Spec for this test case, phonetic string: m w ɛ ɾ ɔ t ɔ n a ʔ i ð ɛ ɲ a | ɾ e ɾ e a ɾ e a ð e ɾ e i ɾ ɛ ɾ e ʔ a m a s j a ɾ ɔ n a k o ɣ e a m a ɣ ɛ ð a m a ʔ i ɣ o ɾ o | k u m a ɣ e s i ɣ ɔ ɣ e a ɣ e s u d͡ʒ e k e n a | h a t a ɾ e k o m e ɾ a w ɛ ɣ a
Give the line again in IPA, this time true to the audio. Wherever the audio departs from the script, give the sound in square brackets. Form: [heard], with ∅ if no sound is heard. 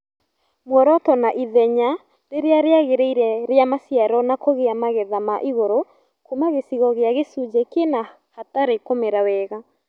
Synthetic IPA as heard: m w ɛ ɾ ɔ t ɔ n a ʔ i ð ɛ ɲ a | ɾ e ɾ e a ɾ e a [ɣ] e ɾ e i ɾ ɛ ɾ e [∅] a m a s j a ɾ ɔ n a k o ɣ e a m a ɣ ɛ ð a m a ʔ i ɣ o ɾ o | k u m a ɣ e s i ɣ ɔ ɣ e a ɣ e s u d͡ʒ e k e n a | h a t a ɾ e k o m e ɾ a w ɛ ɣ a